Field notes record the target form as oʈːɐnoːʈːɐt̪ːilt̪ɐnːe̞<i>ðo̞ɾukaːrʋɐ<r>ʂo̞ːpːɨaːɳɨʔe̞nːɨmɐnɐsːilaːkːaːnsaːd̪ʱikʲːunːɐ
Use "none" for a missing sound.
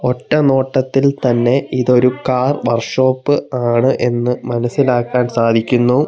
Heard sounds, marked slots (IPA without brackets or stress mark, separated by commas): i, r